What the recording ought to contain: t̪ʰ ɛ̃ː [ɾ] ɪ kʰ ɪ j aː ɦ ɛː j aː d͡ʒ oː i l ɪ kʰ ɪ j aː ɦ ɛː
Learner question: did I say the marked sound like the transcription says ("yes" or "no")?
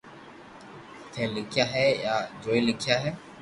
no